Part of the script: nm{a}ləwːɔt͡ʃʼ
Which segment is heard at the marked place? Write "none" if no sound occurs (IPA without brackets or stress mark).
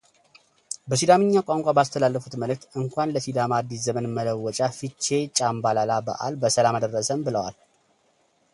ə